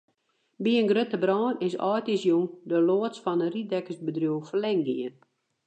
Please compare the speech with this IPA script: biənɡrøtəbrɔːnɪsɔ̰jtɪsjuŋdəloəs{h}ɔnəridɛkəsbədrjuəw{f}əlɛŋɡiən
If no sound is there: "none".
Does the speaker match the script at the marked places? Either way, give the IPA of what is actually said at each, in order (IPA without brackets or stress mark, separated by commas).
f, f